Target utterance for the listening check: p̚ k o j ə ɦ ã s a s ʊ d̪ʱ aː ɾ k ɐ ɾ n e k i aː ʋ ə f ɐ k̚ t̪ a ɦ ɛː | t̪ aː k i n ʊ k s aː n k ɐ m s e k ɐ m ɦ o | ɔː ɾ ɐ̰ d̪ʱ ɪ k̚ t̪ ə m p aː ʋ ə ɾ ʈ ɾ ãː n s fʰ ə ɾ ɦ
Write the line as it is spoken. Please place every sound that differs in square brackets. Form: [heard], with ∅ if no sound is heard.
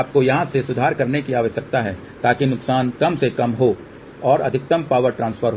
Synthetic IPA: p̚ k o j [ɐ] ɦ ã s [e] s ʊ d̪ʱ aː ɾ k ɐ ɾ n e k i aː ʋ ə [ʃ] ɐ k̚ t̪ a ɦ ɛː | t̪ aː k i n ʊ k s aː n k ɐ m s e k ɐ m ɦ o | ɔː ɾ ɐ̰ d̪ʱ ɪ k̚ t̪ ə m p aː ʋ ə ɾ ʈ ɾ ãː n s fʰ ə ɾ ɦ